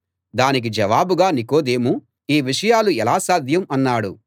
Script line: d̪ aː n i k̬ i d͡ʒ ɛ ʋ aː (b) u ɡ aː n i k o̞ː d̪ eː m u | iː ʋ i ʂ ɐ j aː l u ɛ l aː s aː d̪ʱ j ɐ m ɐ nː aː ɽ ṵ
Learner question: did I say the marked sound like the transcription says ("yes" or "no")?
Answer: yes